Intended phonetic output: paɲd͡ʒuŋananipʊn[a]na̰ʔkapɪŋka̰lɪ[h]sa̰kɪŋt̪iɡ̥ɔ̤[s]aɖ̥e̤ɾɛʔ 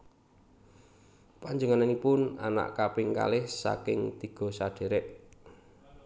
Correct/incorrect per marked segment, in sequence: correct, correct, correct

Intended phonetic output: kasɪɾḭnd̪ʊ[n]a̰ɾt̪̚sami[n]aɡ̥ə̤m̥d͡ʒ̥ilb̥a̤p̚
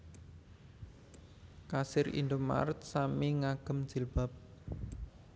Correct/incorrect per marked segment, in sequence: incorrect: m, incorrect: ŋ

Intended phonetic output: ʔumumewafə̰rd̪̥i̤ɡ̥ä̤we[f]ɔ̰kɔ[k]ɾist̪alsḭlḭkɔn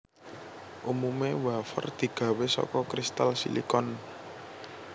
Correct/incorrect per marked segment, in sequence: incorrect: s, correct

